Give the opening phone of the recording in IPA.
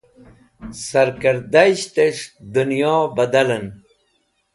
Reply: s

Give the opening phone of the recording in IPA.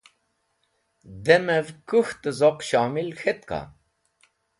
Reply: d̪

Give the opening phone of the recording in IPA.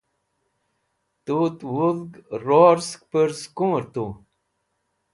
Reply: t̪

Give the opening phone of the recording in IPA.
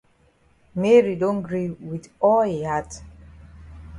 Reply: m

